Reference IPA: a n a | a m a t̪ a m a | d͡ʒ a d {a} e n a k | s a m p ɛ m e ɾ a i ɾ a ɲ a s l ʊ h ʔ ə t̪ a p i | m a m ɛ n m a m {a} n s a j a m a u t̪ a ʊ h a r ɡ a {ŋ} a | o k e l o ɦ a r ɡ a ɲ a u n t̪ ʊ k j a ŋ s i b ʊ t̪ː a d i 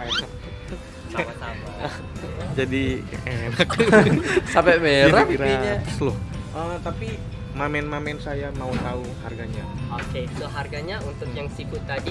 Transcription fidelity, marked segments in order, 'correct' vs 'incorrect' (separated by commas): incorrect, incorrect, incorrect